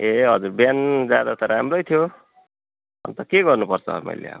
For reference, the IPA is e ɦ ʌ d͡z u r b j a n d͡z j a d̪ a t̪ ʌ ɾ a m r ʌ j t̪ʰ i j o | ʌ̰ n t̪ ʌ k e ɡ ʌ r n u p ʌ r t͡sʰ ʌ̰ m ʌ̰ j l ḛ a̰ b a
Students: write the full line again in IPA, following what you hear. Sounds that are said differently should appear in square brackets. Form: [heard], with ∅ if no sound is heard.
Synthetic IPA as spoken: e ɦ ʌ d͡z u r b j a n d͡z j a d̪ a t̪ ʌ ɾ a m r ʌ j t̪ʰ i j o | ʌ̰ n t̪ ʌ k e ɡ ʌ r n u p ʌ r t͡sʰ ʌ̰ m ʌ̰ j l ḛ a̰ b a